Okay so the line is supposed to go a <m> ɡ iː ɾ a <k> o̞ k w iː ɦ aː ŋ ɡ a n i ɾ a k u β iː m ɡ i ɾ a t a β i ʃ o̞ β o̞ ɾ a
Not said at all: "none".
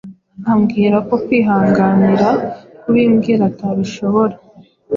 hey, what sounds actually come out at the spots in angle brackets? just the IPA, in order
m, k

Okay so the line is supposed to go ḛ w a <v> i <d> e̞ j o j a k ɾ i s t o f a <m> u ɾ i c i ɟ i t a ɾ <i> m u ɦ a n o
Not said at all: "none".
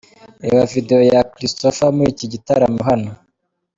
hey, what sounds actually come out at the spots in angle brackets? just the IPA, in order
v, d, m, a

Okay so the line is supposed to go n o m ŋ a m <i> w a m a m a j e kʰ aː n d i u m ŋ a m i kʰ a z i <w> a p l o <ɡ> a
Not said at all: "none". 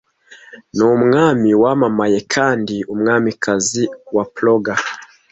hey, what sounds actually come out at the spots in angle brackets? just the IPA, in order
i, w, ɡ

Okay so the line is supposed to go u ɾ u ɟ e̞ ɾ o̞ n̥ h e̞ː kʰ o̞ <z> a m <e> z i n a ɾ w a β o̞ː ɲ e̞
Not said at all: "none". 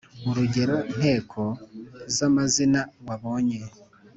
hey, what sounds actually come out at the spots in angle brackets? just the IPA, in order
z, a

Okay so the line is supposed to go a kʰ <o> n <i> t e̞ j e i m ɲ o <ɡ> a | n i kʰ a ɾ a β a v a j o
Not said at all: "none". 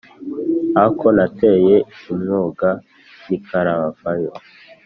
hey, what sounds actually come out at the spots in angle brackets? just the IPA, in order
o, a, ɡ

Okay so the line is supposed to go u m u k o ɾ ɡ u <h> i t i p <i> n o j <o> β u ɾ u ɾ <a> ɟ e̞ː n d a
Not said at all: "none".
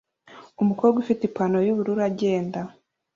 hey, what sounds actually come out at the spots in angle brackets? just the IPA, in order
f, a, u, a

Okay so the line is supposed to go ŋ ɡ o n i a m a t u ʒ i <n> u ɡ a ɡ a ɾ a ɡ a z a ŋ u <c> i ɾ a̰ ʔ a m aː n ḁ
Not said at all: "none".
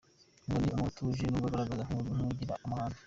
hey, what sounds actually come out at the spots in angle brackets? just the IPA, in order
n, ɟ

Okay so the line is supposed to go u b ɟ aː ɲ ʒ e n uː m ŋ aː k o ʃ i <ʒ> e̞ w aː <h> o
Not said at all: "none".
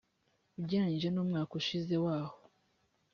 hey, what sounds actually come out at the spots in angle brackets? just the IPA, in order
z, h

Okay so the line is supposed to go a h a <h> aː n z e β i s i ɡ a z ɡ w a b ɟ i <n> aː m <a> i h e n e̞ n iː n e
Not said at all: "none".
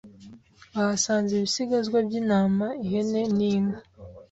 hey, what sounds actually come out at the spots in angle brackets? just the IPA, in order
s, n, a

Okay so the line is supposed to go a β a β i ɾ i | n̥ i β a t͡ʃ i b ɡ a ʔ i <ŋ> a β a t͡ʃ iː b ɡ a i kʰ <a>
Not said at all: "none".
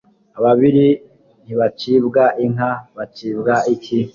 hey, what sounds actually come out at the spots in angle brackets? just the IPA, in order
ŋ, i

